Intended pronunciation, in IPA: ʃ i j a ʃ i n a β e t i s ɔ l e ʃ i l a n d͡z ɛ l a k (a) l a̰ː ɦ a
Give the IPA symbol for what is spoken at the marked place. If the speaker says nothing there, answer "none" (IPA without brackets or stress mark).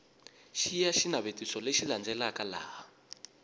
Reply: a